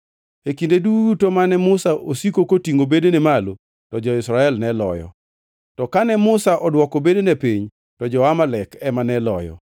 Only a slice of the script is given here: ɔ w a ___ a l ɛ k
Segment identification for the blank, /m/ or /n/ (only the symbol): m